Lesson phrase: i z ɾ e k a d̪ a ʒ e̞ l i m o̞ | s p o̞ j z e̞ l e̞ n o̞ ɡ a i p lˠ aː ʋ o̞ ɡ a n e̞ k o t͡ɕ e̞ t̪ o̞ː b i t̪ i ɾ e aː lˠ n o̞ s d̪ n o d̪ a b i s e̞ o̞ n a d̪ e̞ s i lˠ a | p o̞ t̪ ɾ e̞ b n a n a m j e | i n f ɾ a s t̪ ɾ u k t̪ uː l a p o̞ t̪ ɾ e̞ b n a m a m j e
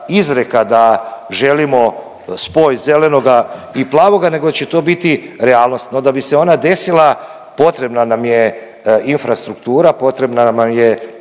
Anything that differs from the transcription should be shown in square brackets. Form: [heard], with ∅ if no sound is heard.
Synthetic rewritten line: i z ɾ e k a d̪ a ʒ e̞ l i m o̞ | s p o̞ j z e̞ l e̞ n o̞ ɡ a i p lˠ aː ʋ o̞ ɡ a n e̞ [ɡ] o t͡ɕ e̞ t̪ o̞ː b i t̪ i ɾ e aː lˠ n o̞ s [t̪] n o d̪ a b i s e̞ o̞ n a d̪ e̞ s i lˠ a | p o̞ t̪ ɾ e̞ b n a n a m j e | i n f ɾ a s t̪ ɾ u k t̪ uː [ɾ] a p o̞ t̪ ɾ e̞ b n a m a m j e